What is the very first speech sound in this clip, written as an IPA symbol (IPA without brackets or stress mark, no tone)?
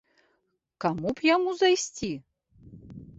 k